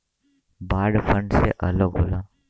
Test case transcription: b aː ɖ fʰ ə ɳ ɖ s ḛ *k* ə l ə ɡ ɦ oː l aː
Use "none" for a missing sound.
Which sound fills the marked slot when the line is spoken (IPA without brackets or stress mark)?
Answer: ʔ